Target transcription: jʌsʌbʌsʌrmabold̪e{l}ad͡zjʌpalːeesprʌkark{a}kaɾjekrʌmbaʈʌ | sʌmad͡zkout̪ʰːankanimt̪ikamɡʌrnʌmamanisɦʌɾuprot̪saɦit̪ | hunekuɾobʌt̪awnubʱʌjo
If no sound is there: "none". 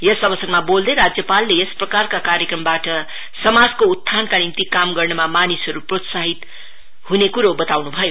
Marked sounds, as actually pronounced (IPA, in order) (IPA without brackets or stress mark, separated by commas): ɾ, a